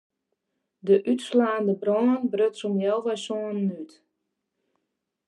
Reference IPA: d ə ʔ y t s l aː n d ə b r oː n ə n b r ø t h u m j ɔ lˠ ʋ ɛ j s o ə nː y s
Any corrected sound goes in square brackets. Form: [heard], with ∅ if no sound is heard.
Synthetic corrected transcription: d ə ʔ y t s l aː n d ə b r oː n ə n b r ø t [s] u m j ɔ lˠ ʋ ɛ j s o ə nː y [t]